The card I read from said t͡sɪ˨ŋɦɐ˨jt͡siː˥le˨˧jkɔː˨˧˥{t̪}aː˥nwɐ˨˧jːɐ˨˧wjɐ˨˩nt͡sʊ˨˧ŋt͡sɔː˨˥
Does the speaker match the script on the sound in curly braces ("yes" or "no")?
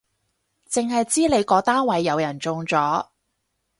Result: yes